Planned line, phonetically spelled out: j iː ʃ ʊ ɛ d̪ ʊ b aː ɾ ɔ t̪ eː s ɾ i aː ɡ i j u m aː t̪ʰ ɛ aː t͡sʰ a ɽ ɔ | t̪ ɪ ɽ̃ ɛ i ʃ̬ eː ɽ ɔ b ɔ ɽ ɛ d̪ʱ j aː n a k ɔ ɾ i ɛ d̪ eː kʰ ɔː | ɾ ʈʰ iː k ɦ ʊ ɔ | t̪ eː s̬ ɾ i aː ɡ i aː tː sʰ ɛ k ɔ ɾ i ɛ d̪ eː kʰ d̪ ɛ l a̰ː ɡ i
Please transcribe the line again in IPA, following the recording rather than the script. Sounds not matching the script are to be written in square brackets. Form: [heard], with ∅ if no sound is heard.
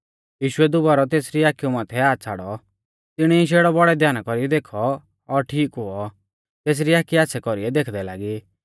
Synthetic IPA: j iː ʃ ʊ ɛ d̪ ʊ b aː ɾ ɔ t̪ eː s ɾ i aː [k] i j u m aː t̪ʰ ɛ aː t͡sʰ a ɽ ɔ | t̪ ɪ ɽ̃ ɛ i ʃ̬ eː ɽ ɔ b ɔ ɽ ɛ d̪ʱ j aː n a k ɔ ɾ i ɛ d̪ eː kʰ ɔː | ɾ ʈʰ iː k ɦ ʊ ɔ | t̪ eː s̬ ɾ i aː [k] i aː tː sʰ ɛ k ɔ ɾ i ɛ d̪ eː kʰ d̪ ɛ l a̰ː ɡ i

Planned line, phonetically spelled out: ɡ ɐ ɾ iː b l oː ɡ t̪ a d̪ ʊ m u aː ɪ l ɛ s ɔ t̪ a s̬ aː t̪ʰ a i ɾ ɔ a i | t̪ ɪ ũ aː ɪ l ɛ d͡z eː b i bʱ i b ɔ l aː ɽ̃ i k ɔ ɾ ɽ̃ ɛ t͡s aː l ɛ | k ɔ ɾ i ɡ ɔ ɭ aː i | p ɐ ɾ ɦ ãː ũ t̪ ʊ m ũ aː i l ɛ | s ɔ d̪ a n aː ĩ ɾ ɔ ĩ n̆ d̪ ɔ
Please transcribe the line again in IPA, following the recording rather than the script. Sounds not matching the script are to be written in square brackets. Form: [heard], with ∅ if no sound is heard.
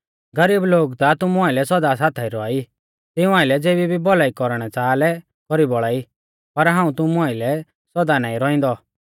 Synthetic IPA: ɡ ɐ ɾ iː b l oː ɡ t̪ a [t̪] ʊ m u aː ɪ l ɛ s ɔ [d̪] a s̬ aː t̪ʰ a i ɾ ɔ a i | t̪ ɪ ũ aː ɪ l ɛ d͡z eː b i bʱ i b ɔ l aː [∅] i k ɔ ɾ ɽ̃ ɛ t͡s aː l ɛ | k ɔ ɾ i [b] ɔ ɭ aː i | p ɐ ɾ ɦ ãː ũ t̪ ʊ m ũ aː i l ɛ | s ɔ d̪ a n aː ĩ ɾ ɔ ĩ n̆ d̪ ɔ

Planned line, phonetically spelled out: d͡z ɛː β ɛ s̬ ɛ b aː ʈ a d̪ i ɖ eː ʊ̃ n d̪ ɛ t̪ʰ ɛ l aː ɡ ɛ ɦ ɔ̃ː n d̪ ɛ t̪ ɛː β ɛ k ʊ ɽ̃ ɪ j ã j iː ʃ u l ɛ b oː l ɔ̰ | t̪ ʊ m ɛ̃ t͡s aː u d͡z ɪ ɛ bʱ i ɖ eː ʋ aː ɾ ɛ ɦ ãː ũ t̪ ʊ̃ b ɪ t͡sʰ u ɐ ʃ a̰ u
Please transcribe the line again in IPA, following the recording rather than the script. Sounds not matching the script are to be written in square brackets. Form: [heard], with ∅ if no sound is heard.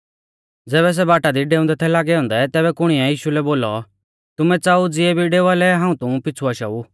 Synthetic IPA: d͡z ɛː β ɛ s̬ ɛ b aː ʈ a d̪ i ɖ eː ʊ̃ n d̪ ɛ t̪ʰ ɛ l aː ɡ ɛ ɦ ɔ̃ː n d̪ ɛ t̪ ɛː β ɛ k ʊ ɽ̃ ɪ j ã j iː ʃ u l ɛ b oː l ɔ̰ | t̪ ʊ m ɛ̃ t͡s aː u d͡z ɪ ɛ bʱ i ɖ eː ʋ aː [l] ɛ ɦ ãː ũ t̪ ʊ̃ [p] ɪ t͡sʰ u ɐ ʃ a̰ u

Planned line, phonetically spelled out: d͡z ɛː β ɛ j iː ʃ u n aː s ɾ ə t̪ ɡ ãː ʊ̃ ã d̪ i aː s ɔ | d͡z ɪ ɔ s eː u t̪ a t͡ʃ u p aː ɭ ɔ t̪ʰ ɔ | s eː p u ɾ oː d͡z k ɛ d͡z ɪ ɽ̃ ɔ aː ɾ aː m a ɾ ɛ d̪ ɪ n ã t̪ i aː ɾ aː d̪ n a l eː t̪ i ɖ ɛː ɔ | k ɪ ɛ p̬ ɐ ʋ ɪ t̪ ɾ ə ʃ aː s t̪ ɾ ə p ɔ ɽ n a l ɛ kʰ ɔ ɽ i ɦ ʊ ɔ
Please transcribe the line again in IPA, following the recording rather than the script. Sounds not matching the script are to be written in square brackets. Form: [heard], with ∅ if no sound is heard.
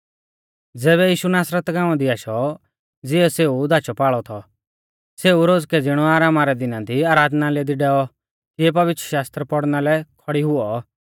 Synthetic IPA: d͡z ɛː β ɛ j iː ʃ u n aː s ɾ ə t̪ ɡ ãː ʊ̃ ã d̪ i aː [ʃ] ɔ | d͡z ɪ ɔ s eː u [d̪] a t͡ʃ [ɔ] p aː ɭ ɔ t̪ʰ ɔ | s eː [∅] u ɾ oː d͡z k ɛ d͡z ɪ ɽ̃ ɔ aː ɾ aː m a ɾ ɛ d̪ ɪ n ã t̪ i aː ɾ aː d̪ n a l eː [d̪] i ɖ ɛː ɔ | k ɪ ɛ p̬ ɐ ʋ ɪ t̪ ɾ ə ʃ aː s t̪ ɾ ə p ɔ ɽ n a l ɛ kʰ ɔ ɽ i ɦ ʊ ɔ

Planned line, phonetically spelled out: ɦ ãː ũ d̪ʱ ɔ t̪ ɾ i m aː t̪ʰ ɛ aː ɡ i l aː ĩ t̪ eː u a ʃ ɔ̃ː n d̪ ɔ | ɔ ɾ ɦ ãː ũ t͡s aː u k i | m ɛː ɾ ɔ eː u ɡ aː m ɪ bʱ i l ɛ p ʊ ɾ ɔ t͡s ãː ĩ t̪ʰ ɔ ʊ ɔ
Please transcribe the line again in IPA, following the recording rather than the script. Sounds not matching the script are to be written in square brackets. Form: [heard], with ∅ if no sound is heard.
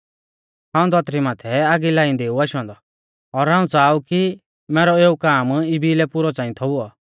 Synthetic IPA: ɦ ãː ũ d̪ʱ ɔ t̪ ɾ i m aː t̪ʰ ɛ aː ɡ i l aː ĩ [d̪] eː u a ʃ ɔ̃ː n d̪ ɔ | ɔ ɾ ɦ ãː ũ t͡s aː u k i | m ɛː ɾ ɔ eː u [k] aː m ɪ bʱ i l ɛ p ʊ ɾ ɔ t͡s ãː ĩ t̪ʰ ɔ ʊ ɔ

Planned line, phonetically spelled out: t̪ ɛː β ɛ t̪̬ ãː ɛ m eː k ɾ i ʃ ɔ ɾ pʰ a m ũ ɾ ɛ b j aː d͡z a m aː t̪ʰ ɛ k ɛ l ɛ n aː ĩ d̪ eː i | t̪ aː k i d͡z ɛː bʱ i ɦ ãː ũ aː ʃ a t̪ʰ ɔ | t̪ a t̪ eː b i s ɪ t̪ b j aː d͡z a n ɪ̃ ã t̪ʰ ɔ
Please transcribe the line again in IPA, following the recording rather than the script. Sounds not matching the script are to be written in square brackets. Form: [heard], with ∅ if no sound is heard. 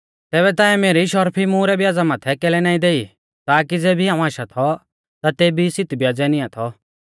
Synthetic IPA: t̪ ɛː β ɛ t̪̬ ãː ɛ m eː [∅] ɾ i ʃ ɔ ɾ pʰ [i] m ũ ɾ ɛ b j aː d͡z a m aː t̪ʰ ɛ k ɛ l ɛ n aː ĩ d̪ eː i | t̪ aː k i d͡z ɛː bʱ i ɦ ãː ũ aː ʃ a t̪ʰ ɔ | t̪ a t̪ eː b i s ɪ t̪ b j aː d͡z [ɛ] n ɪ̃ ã t̪ʰ ɔ

